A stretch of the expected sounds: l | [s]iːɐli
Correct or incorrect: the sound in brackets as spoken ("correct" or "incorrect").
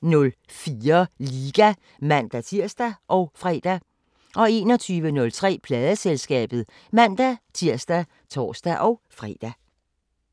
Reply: incorrect